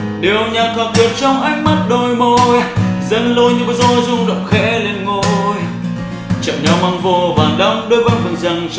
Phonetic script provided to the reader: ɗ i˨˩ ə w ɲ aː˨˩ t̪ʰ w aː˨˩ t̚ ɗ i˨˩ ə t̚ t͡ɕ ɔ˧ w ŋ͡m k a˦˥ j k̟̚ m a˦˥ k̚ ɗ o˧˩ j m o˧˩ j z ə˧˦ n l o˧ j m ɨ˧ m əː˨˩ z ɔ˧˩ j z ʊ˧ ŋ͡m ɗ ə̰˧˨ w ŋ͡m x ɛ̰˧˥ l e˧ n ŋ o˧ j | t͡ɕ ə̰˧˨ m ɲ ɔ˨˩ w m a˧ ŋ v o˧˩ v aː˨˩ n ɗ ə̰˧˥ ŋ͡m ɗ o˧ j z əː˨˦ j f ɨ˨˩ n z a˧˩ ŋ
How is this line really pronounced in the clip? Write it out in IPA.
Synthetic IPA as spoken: ɗ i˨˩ ə w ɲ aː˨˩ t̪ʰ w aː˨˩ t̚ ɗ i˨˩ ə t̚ t͡ɕ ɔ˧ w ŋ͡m ʔ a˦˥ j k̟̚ m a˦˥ t̚ ɗ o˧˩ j m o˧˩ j z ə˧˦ n l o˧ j ɲ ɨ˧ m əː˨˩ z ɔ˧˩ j z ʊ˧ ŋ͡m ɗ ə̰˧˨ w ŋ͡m x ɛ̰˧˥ l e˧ n ŋ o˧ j | t͡ɕ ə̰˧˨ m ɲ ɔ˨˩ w m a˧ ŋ v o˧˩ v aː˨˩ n ɗ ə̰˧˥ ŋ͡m ɗ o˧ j v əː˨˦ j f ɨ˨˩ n z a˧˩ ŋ

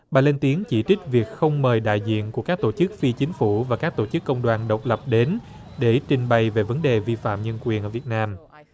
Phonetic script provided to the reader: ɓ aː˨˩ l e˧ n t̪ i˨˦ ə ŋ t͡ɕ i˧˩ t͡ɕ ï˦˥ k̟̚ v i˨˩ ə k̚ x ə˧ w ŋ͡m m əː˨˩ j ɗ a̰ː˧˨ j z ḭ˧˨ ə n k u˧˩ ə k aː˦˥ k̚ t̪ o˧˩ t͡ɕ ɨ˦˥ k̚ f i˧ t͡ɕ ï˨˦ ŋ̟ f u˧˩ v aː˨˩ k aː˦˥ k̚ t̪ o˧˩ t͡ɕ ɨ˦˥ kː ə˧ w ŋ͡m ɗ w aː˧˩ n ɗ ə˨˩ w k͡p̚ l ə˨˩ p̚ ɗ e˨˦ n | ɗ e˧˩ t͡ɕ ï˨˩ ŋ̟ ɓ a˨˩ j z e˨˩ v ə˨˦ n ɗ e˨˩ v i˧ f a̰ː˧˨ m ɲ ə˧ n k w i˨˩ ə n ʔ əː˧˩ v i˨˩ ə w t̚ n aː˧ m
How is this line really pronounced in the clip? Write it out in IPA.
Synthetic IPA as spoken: ɓ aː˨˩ l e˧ n t̪ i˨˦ ə ŋ t͡ɕ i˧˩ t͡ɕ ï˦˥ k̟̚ v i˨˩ ə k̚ x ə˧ w ŋ͡m m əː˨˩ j ɗ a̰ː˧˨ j z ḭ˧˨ ə n k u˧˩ ə k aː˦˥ k̚ t̪ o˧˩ t͡ɕ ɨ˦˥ k̚ f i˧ t͡ɕ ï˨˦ ŋ̟ f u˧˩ v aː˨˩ k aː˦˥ k̚ t̪ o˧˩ t͡ɕ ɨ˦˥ kː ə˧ w ŋ͡m ɗ w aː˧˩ n ɗ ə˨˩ w k͡p̚ l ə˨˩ p̚ ɗ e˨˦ n | ɗ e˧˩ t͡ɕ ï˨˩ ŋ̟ ɓ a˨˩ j v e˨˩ v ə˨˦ n ɗ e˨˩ v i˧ f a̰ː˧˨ m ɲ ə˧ n k w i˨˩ ə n ʔ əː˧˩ v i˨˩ ə t̚ n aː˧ m

